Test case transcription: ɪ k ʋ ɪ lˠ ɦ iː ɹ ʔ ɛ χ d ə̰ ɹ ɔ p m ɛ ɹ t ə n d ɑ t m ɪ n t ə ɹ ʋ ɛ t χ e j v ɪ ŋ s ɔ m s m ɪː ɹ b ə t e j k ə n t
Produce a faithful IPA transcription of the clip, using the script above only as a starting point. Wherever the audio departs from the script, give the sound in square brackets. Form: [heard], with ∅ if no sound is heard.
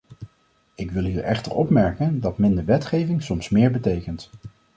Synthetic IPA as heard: ɪ k ʋ ɪ lˠ ɦ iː ɹ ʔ ɛ χ [t] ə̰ ɹ ɔ p m ɛ ɹ [k] ə n d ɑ t m ɪ n [d] ə ɹ ʋ ɛ t χ e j v ɪ ŋ s ɔ m s m ɪː ɹ b ə t e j k ə n t